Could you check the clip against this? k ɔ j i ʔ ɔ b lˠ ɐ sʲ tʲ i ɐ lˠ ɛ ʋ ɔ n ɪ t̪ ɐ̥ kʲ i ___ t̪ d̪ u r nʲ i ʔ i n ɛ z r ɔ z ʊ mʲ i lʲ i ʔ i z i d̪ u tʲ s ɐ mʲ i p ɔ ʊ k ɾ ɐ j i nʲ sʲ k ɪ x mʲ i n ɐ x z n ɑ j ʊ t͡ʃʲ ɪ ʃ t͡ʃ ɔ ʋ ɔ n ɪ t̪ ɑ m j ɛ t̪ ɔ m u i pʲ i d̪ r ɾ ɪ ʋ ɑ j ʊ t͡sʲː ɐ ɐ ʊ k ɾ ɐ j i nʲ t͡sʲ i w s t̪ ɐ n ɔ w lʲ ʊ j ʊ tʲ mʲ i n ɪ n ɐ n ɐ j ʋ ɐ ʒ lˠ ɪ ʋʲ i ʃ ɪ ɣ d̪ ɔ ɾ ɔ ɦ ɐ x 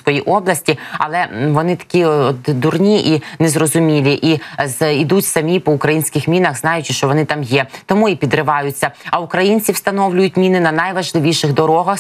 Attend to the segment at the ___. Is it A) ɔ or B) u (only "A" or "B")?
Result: A